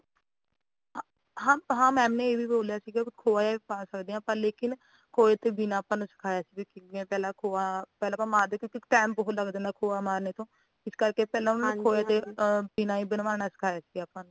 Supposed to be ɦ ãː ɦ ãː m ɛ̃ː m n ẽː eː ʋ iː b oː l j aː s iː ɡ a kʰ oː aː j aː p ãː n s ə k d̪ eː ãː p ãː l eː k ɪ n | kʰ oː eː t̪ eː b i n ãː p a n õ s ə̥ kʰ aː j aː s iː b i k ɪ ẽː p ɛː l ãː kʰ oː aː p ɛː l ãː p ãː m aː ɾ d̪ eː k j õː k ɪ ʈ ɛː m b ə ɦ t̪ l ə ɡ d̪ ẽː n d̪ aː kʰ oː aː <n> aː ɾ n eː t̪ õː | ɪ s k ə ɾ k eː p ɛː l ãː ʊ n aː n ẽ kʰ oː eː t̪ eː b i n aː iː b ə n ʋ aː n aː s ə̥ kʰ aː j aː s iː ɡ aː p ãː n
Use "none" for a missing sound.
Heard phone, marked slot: m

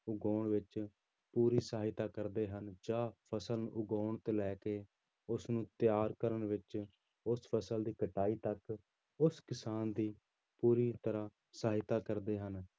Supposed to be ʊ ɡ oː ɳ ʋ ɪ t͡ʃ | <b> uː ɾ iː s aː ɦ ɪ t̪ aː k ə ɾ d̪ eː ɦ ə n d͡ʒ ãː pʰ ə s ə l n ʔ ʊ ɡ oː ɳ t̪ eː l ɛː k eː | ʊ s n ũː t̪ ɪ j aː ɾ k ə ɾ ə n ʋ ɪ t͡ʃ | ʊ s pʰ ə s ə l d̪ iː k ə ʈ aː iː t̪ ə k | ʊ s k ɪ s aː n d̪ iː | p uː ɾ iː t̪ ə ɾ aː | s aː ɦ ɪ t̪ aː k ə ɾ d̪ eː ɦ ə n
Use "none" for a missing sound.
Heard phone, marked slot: p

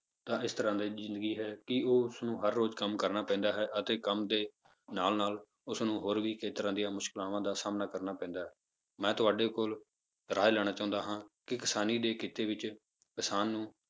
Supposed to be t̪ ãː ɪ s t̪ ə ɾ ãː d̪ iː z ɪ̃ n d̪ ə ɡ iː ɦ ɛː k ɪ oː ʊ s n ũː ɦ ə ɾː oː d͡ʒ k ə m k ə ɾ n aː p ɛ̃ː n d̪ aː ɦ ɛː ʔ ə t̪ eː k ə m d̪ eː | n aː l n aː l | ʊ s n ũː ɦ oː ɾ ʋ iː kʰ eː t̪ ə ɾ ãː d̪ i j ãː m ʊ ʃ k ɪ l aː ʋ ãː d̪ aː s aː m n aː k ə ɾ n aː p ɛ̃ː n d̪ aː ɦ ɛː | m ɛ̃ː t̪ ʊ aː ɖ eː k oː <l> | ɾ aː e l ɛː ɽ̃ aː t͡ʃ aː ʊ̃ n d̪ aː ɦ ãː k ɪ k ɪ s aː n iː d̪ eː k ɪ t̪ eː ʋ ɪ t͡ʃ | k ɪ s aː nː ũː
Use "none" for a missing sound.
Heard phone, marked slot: l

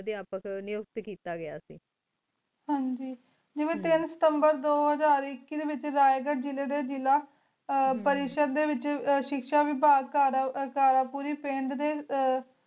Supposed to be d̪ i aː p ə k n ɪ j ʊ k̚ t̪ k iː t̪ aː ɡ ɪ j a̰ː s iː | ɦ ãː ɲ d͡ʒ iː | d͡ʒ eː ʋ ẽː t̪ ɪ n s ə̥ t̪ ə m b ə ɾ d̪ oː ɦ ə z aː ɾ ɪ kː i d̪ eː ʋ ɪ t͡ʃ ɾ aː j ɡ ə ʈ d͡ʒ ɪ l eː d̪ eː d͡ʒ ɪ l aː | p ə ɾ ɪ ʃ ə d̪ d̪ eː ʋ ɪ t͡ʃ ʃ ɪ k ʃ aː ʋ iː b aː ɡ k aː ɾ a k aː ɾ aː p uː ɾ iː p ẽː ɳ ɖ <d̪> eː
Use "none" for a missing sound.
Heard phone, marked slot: d̪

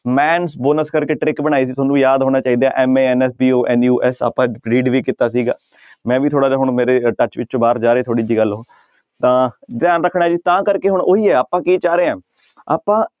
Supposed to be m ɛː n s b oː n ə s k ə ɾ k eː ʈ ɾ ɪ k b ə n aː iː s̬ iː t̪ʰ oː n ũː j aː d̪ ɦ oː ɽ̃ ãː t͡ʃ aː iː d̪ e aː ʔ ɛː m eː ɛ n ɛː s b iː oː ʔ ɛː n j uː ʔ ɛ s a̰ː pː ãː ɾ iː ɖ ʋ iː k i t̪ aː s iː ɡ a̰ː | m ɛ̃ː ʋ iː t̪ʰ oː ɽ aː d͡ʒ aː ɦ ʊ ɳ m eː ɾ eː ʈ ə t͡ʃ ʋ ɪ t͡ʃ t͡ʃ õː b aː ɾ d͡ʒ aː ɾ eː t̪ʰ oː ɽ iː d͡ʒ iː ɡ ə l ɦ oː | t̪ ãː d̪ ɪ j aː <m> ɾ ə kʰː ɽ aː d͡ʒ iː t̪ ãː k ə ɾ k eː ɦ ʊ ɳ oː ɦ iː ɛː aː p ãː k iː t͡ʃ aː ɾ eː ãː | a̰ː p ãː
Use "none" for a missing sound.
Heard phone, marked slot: n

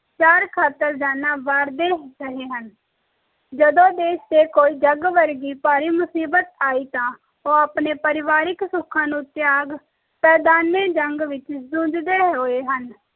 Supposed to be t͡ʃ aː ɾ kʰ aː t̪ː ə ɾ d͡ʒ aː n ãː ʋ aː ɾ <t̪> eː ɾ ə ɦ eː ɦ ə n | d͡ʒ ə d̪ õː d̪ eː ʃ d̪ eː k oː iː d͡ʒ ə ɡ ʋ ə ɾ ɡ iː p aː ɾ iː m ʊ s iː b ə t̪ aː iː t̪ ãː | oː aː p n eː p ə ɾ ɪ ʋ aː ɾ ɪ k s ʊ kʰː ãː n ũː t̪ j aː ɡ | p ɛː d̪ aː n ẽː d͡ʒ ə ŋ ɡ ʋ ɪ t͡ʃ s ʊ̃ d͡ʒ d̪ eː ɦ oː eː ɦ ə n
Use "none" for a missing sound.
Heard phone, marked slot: d̪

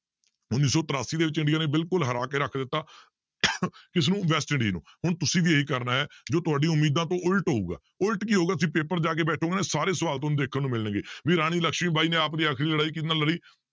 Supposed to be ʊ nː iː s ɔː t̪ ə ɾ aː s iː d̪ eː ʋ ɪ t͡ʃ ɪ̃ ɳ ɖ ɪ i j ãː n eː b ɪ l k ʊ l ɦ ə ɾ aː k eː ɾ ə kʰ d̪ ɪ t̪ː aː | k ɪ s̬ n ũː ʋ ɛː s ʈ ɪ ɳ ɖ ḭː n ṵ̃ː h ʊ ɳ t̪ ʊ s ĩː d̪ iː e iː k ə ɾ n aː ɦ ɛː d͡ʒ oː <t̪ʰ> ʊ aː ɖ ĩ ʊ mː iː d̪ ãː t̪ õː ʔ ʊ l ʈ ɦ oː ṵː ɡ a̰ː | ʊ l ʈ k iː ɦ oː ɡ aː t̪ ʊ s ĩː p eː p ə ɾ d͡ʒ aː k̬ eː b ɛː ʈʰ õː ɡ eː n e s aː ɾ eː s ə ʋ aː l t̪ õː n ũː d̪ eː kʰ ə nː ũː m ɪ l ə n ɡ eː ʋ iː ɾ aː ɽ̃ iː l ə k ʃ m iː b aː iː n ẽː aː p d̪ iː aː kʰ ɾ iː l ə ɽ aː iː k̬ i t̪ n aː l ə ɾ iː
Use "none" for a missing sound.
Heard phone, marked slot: t̪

